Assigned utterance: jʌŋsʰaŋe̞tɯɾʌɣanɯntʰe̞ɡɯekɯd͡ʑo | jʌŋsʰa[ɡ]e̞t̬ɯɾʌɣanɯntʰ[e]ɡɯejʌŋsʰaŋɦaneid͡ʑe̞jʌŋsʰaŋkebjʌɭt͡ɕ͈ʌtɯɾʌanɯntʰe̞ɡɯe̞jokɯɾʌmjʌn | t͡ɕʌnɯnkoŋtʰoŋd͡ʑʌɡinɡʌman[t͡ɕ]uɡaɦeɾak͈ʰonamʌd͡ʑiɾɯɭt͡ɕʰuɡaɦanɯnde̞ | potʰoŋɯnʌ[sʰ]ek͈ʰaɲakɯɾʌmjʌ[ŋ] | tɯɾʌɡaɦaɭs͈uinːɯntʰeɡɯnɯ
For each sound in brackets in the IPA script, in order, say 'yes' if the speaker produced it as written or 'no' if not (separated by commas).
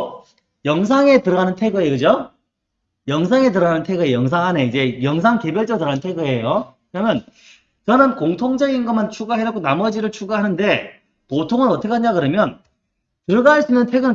no, yes, no, no, no